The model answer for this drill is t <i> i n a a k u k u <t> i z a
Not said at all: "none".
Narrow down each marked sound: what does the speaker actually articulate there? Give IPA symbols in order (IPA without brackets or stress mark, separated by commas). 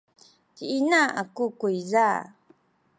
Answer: i, none